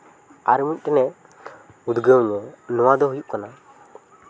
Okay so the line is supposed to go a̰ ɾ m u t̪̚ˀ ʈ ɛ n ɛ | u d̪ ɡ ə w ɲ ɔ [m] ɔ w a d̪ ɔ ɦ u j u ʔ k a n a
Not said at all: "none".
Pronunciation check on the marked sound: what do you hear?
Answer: n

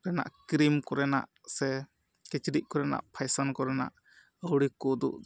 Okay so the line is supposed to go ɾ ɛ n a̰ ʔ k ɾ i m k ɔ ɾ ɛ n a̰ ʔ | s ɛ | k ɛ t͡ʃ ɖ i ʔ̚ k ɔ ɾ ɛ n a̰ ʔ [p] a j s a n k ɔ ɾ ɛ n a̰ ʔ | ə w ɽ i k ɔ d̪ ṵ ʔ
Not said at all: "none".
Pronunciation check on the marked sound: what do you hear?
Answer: pʰ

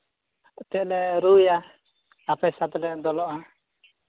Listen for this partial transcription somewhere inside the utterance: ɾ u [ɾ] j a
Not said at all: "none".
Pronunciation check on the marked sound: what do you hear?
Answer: none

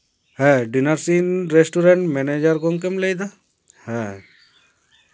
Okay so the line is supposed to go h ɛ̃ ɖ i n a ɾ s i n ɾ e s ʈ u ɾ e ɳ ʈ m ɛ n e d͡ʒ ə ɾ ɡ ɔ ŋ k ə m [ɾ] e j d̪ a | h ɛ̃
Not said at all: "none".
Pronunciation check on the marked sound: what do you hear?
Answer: l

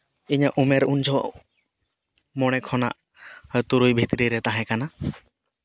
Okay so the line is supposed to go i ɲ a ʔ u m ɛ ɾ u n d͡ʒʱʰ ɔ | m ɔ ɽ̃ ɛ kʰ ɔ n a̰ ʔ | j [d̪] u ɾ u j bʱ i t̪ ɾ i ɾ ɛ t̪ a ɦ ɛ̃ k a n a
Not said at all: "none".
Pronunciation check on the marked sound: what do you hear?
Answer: t̪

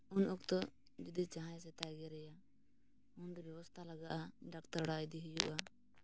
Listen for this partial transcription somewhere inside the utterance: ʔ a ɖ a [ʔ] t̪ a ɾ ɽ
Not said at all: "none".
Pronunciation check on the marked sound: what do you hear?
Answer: k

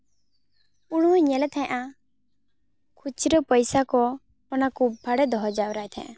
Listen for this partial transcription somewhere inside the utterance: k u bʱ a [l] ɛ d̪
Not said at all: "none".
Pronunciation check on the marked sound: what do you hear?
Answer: ɽ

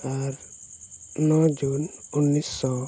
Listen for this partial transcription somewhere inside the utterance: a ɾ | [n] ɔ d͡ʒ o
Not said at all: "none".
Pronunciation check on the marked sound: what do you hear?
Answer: n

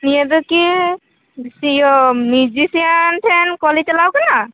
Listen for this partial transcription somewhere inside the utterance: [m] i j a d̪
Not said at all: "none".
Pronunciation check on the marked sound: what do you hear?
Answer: n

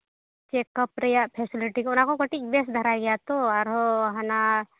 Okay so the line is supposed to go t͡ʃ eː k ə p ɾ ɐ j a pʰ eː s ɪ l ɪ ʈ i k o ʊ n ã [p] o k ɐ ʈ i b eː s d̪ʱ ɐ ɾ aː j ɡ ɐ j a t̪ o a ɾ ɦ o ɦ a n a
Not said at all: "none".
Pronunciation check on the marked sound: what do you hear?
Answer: k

